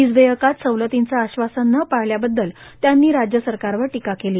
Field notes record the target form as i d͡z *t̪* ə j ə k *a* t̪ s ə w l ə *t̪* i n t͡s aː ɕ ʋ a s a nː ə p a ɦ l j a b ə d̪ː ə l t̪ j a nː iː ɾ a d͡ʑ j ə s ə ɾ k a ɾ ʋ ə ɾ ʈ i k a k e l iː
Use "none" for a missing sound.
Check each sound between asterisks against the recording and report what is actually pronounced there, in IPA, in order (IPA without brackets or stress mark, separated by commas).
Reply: d̪, a, t̪